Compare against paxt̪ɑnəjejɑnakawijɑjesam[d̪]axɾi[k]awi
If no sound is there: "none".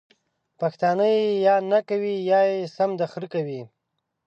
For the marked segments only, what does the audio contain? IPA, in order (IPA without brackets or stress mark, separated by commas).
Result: d̪, k